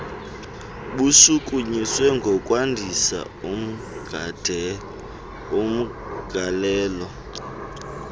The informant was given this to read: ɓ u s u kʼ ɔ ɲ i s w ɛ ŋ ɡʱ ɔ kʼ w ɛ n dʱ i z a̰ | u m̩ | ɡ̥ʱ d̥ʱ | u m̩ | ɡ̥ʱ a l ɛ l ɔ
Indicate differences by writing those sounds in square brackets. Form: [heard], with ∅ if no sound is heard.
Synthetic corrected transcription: ɓ u s u kʼ [u] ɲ i s w ɛ ŋ ɡʱ ɔ kʼ w [a] n dʱ i [s] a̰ | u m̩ | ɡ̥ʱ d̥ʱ | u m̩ | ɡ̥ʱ a l [ɛː] l ɔ